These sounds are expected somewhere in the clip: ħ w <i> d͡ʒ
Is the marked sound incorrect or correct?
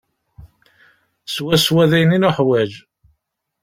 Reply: incorrect: æ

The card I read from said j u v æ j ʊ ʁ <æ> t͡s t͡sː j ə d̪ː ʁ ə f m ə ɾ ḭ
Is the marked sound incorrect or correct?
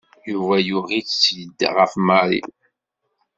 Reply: incorrect: i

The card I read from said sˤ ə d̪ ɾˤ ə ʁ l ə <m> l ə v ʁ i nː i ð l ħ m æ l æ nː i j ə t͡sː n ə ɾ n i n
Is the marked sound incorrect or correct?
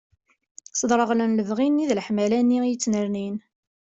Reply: incorrect: n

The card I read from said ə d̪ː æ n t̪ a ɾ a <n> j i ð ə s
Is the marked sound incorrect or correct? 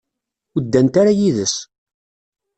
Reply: incorrect: none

